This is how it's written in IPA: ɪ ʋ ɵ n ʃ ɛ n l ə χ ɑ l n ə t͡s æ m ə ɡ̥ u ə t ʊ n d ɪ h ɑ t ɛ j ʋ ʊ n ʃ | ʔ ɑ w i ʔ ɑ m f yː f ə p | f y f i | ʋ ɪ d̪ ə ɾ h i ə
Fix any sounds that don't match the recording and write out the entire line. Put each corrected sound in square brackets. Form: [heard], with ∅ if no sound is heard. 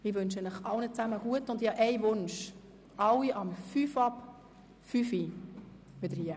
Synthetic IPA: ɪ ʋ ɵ n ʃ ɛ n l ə χ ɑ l n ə t͡s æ m ə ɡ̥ u ə t ʊ n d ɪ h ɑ [ʔ] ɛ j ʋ ʊ n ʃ | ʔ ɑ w i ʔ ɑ m f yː f [ɑ] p | f y f i | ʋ ɪ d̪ ə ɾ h i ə